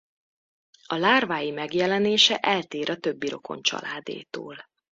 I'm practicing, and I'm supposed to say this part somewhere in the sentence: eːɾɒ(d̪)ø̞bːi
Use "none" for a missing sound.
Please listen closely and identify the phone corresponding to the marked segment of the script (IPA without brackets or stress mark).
t̪